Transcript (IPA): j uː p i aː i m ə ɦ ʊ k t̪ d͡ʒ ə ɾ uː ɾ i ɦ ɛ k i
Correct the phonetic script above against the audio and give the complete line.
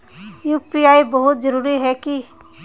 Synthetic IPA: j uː p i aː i b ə ɦ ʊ t̪ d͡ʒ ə ɾ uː ɾ i ɦ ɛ k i